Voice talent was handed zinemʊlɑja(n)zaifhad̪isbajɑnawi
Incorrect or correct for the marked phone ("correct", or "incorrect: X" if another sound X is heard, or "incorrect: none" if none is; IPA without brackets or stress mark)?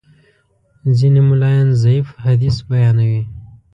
correct